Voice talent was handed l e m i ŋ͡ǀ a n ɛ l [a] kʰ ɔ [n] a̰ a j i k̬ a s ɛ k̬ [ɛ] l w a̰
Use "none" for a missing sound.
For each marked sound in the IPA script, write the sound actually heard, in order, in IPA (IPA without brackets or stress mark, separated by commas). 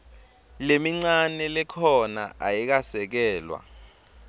ɛ, n, ɛː